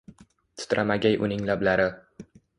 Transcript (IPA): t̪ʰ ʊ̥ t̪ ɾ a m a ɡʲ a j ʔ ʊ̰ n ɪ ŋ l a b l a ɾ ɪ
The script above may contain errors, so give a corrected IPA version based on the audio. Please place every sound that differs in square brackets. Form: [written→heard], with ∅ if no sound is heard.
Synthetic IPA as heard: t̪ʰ ʊ̥ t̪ ɾ a m a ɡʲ a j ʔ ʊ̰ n ɪ ŋ l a b l a ɾ ɪ